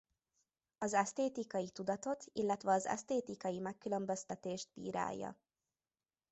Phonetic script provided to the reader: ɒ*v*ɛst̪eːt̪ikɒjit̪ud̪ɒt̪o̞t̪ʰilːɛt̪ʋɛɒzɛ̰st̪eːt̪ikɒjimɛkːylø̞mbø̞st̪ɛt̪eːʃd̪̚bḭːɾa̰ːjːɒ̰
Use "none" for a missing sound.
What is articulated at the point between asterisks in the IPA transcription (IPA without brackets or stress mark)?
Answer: z